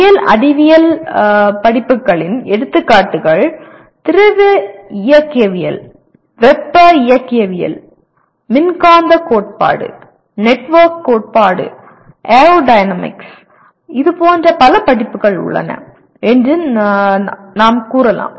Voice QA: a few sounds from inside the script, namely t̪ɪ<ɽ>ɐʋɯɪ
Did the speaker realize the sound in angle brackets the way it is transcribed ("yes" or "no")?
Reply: no